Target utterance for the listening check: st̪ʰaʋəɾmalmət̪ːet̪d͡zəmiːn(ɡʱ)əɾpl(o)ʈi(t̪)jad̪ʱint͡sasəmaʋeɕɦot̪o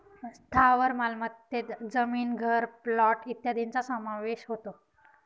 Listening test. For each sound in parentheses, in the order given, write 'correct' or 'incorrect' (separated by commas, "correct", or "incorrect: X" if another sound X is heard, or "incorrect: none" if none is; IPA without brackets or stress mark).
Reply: correct, incorrect: ɔ, correct